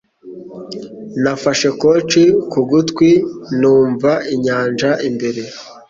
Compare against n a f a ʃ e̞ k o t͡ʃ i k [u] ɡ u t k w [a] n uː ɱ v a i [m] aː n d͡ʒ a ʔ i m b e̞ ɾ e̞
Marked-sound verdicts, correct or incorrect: correct, incorrect, incorrect

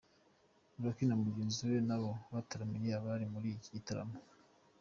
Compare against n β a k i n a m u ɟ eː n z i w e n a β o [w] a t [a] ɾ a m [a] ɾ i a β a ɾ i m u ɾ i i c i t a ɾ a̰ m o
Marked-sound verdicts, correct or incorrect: incorrect, correct, incorrect

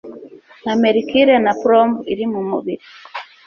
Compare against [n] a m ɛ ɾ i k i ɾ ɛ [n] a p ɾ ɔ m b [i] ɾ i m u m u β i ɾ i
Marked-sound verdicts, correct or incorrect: correct, correct, correct

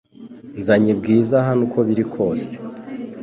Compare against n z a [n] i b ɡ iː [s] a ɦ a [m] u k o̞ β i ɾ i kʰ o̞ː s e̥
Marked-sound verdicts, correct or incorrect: incorrect, incorrect, incorrect

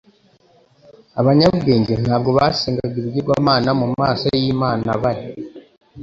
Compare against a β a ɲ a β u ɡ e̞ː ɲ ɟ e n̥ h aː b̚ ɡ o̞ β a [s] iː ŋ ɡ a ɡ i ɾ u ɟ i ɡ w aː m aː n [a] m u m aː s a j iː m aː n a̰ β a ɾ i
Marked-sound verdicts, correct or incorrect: correct, correct

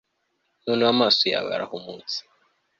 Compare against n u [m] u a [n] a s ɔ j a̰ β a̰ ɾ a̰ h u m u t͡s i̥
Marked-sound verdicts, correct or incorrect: incorrect, incorrect

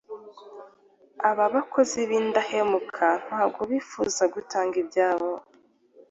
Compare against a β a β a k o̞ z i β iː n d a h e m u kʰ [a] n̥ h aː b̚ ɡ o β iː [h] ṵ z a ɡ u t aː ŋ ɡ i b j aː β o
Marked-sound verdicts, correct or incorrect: correct, incorrect

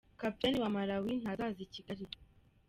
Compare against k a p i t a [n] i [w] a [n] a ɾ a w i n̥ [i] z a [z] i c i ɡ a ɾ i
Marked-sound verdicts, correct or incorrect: correct, correct, incorrect, incorrect, correct

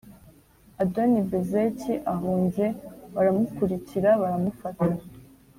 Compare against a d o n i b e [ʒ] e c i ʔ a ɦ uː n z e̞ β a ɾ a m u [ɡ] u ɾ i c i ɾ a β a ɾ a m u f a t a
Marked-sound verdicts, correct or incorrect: incorrect, incorrect

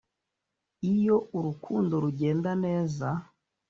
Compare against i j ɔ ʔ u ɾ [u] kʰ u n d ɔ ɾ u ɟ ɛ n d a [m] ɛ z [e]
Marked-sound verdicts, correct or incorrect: correct, incorrect, incorrect

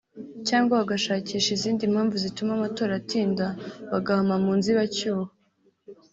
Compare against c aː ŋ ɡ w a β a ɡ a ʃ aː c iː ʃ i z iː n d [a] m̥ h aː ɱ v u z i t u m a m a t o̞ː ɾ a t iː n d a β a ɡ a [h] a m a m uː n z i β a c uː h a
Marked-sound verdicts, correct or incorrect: incorrect, correct

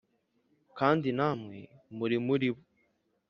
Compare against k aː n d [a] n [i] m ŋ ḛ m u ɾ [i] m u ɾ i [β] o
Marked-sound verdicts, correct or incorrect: incorrect, incorrect, correct, correct

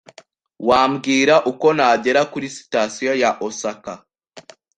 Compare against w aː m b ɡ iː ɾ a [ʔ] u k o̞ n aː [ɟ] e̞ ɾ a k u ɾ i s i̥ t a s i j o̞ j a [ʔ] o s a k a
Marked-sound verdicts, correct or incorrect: correct, correct, correct

